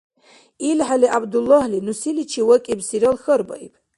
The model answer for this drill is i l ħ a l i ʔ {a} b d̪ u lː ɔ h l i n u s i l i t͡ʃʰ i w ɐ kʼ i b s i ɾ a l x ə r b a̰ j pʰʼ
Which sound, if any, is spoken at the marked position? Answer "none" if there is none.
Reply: a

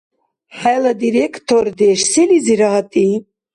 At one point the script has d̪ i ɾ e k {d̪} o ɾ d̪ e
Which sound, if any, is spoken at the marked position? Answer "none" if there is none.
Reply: t̪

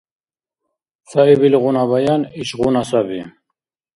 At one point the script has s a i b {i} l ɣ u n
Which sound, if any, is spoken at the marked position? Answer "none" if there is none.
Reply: i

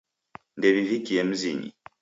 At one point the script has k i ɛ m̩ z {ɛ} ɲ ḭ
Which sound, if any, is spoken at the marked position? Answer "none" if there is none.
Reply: i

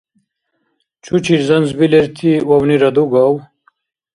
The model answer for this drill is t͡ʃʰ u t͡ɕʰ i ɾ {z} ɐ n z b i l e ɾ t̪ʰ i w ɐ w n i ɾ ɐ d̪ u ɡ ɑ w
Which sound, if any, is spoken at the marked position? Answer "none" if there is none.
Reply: z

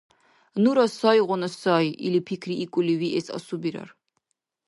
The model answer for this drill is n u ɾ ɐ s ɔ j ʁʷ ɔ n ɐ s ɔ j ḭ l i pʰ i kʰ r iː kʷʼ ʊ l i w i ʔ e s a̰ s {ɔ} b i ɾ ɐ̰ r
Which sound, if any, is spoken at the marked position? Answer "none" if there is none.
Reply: u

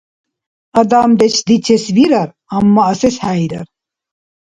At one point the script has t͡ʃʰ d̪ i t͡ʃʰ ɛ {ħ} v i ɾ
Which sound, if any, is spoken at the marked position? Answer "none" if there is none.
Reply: s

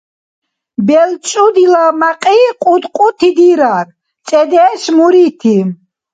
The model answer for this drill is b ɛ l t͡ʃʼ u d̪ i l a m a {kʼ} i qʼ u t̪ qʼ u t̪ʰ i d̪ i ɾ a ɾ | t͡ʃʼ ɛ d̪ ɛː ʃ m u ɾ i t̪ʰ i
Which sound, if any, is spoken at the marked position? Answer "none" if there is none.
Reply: qʼ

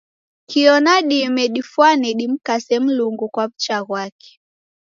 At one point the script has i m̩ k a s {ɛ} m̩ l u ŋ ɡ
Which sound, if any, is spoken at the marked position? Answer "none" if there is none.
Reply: ɛ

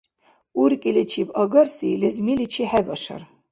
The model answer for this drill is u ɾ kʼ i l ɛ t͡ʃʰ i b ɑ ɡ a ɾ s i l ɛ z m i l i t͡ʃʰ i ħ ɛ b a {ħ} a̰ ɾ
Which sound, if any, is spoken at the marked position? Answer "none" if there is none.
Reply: ʃ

